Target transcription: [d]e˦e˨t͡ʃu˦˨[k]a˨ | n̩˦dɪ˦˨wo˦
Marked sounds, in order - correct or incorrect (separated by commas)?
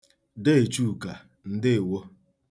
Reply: correct, correct